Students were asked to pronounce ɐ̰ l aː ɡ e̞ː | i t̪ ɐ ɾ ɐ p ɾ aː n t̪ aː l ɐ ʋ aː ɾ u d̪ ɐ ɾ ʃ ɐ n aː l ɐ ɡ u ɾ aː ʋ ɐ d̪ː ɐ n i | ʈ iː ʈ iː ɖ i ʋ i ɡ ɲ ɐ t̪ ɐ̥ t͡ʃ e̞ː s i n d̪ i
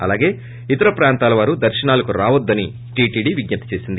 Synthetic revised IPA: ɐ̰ l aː ɡ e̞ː | i t̪ ɐ ɾ ɐ p ɾ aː n t̪ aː l ɐ ʋ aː ɾ u d̪ ɐ ɾ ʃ ɐ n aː l ɐ k u ɾ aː ʋ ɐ d̪ː ɐ n i | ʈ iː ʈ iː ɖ i ʋ i ɡ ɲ ɐ t̪ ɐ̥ t͡ʃ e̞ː s i n d̪ i